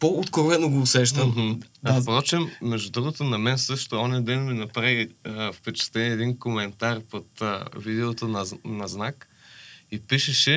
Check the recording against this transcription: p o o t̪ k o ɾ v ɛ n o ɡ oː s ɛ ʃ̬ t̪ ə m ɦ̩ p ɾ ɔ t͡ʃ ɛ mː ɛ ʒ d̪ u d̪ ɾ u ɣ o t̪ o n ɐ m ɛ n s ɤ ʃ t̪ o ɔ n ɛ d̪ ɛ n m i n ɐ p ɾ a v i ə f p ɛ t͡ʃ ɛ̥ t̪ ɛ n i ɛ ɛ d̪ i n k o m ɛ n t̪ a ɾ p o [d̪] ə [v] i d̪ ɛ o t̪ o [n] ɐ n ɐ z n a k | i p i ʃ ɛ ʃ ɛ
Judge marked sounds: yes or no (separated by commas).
no, yes, yes